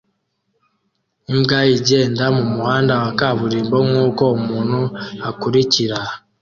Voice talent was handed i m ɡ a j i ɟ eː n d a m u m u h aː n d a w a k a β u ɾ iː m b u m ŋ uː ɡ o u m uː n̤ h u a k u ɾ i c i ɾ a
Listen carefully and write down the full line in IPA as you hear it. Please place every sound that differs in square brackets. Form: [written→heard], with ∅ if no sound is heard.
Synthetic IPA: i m ɡ a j i ɟ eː n d a m u m u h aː n d a w a k a β u ɾ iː m b [u→o] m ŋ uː [ɡ→k] o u m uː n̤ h u a k u ɾ i c i ɾ a